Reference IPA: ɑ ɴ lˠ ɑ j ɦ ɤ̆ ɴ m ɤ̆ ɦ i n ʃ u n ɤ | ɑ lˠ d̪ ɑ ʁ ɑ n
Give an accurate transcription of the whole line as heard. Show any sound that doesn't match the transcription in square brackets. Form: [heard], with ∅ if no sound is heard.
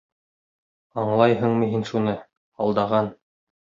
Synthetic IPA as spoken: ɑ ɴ lˠ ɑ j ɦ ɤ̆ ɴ m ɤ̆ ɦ i n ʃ u n ɤ | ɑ lˠ d̪ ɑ ʁ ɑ n